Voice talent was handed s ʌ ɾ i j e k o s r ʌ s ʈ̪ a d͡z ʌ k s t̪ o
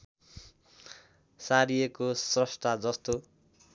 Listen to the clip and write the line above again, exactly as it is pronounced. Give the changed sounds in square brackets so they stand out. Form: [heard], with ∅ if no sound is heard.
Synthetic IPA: s [a] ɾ i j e k o s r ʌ s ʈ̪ a d͡z ʌ [∅] s t̪ o